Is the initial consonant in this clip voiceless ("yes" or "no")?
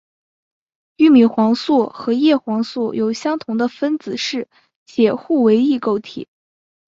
no